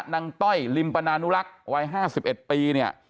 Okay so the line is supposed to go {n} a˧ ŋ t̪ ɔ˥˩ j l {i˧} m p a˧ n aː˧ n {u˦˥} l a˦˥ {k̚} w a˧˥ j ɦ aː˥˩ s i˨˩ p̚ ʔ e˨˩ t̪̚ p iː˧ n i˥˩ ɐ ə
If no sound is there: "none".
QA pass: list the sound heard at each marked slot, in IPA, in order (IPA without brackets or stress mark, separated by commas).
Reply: n, i˧, u˦˥, k̚